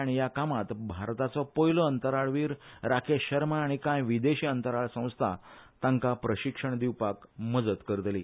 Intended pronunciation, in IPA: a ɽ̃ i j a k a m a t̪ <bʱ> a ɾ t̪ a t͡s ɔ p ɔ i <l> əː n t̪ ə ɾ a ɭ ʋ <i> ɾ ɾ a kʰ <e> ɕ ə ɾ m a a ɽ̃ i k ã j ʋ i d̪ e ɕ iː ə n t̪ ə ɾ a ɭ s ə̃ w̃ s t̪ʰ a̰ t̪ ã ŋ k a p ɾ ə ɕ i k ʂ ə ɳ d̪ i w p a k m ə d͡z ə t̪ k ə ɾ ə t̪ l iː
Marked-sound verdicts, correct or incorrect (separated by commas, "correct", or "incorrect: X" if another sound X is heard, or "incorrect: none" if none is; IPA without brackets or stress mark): correct, correct, incorrect: iː, correct